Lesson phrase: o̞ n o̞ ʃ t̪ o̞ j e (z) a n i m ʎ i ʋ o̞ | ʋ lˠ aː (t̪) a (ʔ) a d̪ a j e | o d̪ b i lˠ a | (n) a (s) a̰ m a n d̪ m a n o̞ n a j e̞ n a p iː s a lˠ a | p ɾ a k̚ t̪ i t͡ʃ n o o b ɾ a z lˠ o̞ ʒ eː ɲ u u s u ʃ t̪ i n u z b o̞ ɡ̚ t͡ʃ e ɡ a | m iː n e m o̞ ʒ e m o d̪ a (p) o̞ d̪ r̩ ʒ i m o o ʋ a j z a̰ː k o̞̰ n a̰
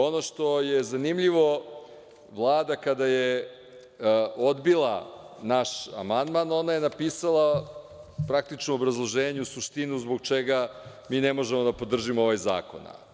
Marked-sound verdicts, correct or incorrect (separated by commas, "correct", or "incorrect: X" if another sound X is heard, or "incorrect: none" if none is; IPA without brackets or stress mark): correct, incorrect: d̪, incorrect: k, correct, incorrect: ʃ, correct